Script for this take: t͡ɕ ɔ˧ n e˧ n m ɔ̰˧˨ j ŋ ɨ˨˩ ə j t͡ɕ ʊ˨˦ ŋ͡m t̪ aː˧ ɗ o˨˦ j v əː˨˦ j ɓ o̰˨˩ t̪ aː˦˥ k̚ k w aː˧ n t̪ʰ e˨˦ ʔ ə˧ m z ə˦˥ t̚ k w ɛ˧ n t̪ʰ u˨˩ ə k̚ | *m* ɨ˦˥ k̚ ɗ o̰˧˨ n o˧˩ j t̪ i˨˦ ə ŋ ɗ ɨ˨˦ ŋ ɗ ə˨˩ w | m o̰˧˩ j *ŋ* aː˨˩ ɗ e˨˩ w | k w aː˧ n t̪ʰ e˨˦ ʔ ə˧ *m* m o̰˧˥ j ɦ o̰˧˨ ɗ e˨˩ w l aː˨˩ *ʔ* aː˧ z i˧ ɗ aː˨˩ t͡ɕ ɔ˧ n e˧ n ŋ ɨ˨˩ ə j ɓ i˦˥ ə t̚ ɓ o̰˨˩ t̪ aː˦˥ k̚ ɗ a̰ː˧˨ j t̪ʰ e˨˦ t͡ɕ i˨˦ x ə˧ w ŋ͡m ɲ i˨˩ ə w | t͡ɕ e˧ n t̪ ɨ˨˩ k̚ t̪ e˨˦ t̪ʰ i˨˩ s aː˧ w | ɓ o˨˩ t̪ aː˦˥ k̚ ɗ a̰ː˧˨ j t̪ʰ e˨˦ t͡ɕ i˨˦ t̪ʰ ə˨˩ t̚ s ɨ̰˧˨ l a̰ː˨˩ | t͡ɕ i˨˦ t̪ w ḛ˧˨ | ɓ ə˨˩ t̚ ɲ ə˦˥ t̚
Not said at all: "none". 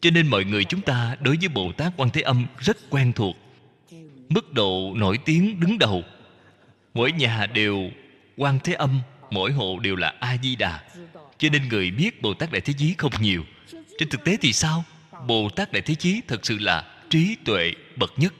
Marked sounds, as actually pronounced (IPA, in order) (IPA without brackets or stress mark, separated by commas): m, ɲ, m, ʔ